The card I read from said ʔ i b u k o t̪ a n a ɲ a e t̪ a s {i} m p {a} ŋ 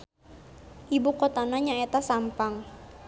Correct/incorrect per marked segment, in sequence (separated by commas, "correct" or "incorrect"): incorrect, correct